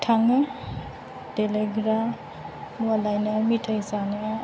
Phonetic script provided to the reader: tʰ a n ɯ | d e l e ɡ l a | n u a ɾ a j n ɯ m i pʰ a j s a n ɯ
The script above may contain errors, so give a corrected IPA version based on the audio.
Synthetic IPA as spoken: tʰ a ŋ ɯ | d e l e ɡ ɾ a | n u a l a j n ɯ m i tʰ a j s a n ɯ

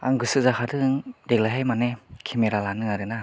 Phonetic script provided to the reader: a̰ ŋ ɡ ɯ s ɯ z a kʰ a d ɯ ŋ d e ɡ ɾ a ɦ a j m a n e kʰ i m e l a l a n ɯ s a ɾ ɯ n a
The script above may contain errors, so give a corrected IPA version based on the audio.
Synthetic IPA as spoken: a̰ ŋ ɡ ɯ s ɯ z a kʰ a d ɯ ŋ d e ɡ l a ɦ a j m a n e kʰ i m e ɾ a l a n ɯ a ɾ ɯ n a

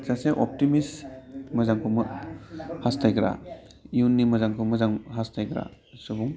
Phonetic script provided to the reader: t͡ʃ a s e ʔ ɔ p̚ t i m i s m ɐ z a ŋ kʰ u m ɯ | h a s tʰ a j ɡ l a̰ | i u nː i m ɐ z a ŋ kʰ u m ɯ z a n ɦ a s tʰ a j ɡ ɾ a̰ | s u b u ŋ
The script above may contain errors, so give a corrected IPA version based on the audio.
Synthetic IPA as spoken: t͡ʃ a s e ʔ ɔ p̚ t i m i s m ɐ z a ŋ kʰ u m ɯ | h a s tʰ a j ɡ ɾ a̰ | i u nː i m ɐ z a ŋ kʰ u m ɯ z a ŋ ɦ a s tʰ a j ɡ ɾ a̰ | s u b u ŋ

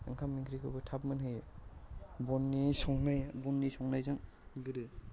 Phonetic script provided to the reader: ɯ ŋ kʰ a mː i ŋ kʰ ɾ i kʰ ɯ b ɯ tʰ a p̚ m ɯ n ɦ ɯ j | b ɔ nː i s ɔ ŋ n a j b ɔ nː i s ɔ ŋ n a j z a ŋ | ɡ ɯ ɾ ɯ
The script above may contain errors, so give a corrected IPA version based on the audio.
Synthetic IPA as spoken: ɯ ŋ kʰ a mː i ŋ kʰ ɾ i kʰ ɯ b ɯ tʰ a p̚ m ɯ n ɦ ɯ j | b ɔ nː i s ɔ ŋ n a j b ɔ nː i s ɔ ŋ n a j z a ŋ | ɡ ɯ ɾ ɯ

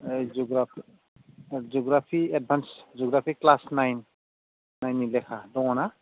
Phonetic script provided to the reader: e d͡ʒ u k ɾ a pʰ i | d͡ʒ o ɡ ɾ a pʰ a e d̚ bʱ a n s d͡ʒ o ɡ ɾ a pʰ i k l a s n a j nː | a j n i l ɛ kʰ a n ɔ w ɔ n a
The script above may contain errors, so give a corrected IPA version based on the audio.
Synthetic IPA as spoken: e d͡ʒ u ɡ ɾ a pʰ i | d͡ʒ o ɡ ɾ a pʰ i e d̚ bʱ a n s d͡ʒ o ɡ ɾ a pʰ i k l a s n a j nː | a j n i l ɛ kʰ a d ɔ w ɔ n a

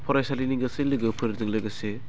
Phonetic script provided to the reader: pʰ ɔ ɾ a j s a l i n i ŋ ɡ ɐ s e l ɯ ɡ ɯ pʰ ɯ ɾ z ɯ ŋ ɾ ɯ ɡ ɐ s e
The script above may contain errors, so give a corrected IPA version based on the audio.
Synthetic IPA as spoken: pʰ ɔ ɾ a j s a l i n i ŋ ɡ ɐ s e l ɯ ɡ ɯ pʰ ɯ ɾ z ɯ ŋ l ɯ ɡ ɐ s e

